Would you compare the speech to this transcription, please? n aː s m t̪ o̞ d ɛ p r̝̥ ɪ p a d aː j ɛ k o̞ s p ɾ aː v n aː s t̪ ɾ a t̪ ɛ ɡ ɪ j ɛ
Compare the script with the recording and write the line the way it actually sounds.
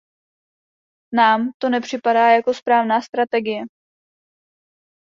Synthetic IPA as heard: n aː m t̪ o̞ n ɛ p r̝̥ ɪ p a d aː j a k o̞ s p ɾ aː v n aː s t̪ ɾ a t̪ ɛ ɡ ɪ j ɛ